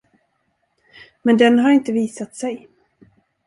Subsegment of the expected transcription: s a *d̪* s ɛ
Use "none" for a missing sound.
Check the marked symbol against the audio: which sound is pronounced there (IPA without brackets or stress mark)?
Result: t̪